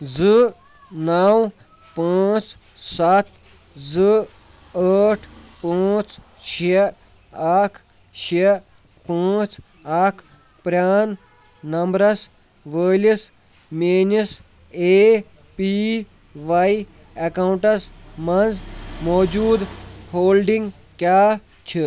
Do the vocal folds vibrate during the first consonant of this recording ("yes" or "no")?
yes